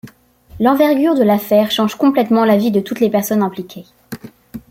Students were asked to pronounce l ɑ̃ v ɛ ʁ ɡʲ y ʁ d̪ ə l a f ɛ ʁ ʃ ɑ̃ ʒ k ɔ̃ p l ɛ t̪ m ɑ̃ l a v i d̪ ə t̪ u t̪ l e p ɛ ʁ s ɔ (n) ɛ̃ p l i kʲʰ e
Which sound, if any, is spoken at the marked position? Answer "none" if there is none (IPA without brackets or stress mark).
n